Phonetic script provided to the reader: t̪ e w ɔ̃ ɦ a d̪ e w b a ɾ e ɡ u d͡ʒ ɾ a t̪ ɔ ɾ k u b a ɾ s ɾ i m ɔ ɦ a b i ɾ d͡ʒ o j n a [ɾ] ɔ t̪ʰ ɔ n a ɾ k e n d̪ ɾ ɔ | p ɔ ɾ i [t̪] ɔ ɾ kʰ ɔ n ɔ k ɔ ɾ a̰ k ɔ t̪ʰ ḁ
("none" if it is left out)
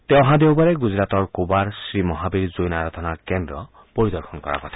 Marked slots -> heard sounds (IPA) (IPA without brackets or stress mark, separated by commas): ɾ, d̪